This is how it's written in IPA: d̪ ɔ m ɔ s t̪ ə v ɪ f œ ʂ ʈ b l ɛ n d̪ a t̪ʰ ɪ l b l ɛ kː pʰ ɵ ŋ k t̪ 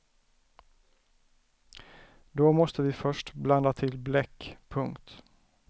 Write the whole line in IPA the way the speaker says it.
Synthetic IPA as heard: d̪ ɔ m ɔ s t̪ ə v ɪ f œ ʂ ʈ b l a n d̪ a t̪ʰ ɪ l b l ɛ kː pʰ ɵ ŋ k t̪